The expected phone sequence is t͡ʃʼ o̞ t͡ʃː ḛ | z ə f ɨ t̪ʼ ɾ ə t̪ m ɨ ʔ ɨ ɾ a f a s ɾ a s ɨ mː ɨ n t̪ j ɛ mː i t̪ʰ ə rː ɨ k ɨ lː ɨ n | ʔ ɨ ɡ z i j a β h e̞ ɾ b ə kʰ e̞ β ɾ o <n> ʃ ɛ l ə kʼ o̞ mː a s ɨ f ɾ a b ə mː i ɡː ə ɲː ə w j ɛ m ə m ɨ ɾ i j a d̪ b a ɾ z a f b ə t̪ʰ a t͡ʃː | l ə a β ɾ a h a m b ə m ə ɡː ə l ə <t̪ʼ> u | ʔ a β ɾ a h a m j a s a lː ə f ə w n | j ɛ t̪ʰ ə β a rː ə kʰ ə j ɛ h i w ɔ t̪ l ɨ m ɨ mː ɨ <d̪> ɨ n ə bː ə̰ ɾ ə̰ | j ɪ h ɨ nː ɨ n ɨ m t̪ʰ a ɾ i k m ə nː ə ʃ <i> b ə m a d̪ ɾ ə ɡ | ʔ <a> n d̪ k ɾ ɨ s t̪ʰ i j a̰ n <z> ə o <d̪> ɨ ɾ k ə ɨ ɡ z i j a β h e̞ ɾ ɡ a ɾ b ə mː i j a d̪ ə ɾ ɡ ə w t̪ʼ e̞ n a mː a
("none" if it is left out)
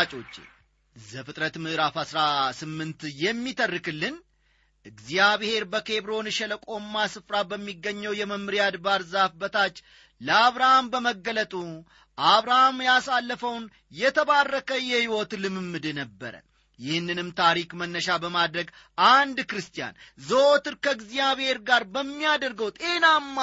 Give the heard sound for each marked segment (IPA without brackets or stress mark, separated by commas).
n, t̪ʼ, d̪, a, a, z, t̪